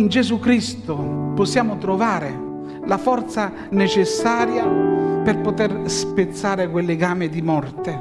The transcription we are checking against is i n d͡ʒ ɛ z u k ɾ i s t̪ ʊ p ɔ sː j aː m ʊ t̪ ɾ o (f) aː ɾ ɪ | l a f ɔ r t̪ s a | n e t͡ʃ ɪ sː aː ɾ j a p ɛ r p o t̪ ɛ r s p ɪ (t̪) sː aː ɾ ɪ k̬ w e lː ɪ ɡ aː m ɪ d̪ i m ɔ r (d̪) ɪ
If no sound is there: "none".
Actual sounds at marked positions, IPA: v, t̪, t̪

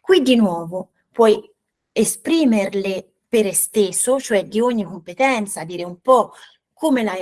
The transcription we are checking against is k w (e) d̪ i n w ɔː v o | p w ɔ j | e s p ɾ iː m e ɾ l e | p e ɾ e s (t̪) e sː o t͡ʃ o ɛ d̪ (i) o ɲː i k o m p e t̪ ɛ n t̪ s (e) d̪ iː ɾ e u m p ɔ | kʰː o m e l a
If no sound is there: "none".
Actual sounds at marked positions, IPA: i, t̪, i, a

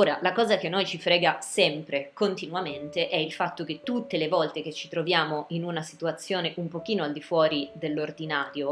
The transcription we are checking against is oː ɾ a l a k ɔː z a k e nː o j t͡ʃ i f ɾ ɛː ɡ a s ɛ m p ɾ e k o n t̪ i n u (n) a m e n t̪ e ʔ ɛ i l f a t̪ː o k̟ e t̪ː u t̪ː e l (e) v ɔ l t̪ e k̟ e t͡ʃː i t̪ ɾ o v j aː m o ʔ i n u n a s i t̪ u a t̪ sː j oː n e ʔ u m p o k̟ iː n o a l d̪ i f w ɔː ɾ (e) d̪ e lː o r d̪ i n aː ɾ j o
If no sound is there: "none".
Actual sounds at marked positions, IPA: none, e, i

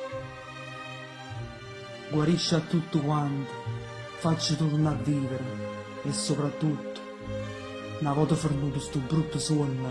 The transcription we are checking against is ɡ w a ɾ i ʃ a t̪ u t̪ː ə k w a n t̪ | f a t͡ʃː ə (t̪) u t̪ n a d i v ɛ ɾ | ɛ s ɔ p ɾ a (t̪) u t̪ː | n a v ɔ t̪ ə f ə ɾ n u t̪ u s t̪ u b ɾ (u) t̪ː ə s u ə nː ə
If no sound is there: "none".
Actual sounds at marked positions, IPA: t̪, t̪, u

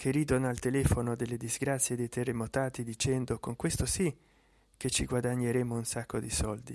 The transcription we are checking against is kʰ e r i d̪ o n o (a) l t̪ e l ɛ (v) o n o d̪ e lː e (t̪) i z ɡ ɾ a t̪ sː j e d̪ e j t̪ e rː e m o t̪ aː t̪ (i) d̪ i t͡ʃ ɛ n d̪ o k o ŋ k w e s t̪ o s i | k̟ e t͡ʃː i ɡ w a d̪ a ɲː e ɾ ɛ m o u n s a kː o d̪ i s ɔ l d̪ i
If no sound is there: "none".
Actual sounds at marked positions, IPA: a, f, d̪, i

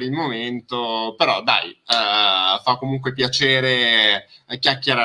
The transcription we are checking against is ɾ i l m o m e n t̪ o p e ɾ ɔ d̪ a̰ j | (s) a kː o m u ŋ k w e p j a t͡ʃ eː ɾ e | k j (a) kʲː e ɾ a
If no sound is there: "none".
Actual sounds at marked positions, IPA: f, a

